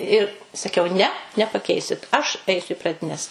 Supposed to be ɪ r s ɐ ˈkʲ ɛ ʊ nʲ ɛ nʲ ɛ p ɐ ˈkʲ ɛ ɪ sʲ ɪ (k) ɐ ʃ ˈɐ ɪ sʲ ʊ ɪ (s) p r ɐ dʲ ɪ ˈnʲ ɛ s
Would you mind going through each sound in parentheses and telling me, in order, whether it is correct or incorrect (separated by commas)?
incorrect, incorrect